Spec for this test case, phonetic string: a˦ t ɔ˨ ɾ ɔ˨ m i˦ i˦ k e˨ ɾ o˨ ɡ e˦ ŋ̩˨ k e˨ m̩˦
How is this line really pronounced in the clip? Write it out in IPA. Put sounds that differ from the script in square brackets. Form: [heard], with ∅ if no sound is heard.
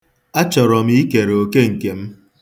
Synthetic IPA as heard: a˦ [t͡ʃ] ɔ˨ ɾ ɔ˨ m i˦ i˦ k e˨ ɾ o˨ [k] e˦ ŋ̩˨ k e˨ m̩˦